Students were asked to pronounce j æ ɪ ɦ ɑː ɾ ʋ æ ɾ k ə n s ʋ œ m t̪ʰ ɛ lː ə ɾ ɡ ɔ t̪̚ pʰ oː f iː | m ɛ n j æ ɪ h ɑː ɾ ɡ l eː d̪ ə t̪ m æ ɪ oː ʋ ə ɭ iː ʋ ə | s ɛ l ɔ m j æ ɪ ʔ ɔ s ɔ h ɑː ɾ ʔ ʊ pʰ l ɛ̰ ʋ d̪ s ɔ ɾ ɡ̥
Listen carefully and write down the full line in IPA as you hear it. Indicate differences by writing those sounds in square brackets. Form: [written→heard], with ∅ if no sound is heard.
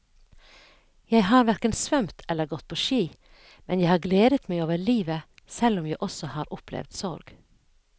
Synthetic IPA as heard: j æ ɪ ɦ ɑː ɾ ʋ æ ɾ k ə n s ʋ œ m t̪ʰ ɛ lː ə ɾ ɡ ɔ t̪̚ pʰ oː [f→ʃ] iː | m ɛ n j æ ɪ h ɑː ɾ ɡ l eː d̪ ə t̪ m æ ɪ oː ʋ ə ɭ iː ʋ ə | s ɛ l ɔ m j æ ɪ ʔ ɔ s ɔ h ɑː ɾ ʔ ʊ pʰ l ɛ̰ ʋ d̪ s ɔ ɾ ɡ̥